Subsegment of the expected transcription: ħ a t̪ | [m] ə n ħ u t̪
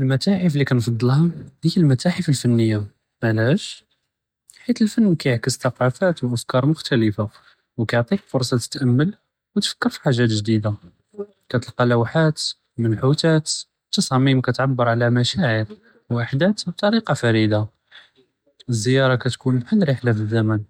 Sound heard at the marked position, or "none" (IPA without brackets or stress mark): m